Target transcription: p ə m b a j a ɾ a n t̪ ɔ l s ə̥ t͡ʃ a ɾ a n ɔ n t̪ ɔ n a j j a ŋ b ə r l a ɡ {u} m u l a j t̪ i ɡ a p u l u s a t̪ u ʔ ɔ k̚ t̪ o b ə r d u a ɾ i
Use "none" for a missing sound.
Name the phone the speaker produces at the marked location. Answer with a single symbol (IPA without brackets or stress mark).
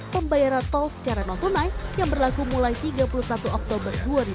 u